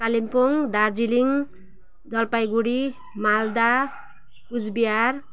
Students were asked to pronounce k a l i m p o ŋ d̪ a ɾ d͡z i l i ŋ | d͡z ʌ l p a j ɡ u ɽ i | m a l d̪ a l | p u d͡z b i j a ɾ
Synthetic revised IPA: k a l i m p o ŋ d̪ a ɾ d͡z i l i ŋ | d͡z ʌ l p a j ɡ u ɽ i | m a l d̪ a | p u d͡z b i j a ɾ